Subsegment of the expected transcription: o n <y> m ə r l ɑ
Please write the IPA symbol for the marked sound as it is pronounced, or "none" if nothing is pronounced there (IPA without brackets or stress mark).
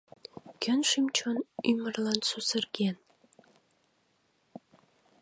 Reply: y